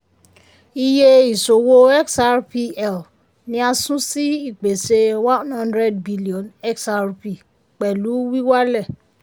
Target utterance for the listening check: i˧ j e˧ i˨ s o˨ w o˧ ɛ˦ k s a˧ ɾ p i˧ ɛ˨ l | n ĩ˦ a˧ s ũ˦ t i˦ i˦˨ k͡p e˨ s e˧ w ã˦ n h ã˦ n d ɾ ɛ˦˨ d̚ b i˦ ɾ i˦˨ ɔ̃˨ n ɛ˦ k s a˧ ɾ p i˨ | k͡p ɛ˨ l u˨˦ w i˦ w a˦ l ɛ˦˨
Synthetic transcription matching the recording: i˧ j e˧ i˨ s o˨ w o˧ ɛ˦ k s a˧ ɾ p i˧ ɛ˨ l | n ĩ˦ a˧ s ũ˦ s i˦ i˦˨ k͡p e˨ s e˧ w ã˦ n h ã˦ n d ɾ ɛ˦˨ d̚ b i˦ l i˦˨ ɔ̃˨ n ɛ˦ k s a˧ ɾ p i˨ | k͡p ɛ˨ l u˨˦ w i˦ w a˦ l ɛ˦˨